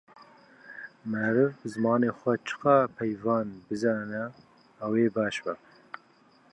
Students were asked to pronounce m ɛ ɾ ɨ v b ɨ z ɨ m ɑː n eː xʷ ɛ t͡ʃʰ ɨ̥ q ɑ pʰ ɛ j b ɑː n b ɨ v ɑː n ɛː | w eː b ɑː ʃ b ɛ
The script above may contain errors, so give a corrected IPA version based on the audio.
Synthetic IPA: m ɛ ɾ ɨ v b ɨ z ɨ m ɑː n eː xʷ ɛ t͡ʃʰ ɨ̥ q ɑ pʰ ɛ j v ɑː n b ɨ z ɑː n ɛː | w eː b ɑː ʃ b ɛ